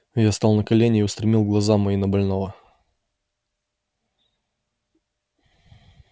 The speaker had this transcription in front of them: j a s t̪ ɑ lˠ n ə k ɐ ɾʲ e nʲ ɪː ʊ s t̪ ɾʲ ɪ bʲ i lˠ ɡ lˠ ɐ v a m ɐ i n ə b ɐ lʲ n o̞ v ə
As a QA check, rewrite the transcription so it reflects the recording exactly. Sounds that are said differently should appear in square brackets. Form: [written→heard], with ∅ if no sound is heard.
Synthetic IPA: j a s t̪ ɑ lˠ n ə k ɐ [ɾʲ→lʲ] e nʲ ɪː ʊ s t̪ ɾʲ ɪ [bʲ→mʲ] i lˠ ɡ lˠ ɐ [v→z] a m ɐ i n ə b ɐ lʲ n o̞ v ə